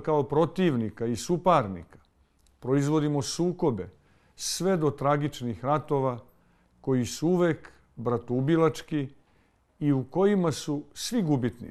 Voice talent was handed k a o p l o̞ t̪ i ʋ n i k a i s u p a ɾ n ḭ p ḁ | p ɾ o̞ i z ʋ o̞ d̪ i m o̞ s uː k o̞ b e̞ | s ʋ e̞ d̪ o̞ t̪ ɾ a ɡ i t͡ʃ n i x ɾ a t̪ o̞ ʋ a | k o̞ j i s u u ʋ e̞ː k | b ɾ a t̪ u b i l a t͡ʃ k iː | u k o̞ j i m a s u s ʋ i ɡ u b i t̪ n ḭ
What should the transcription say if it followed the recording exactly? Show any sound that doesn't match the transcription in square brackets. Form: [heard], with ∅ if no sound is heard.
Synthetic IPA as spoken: k a o p [ɾ] o̞ t̪ i ʋ n i k a i s u p a ɾ n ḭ [k] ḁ | p ɾ o̞ i z ʋ o̞ d̪ i m o̞ s uː k o̞ b e̞ | s ʋ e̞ d̪ o̞ t̪ ɾ a ɡ i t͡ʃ n i x ɾ a t̪ o̞ ʋ a | k o̞ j i s u u ʋ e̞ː k | b ɾ a t̪ u b i l a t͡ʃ k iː | u k o̞ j i m a s u s ʋ i ɡ u b i t̪ n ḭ